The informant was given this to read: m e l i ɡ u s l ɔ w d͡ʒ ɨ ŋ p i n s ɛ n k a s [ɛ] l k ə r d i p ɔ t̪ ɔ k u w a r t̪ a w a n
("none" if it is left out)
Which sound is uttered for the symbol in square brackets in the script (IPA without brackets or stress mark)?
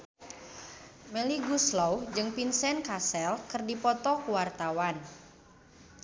ɛ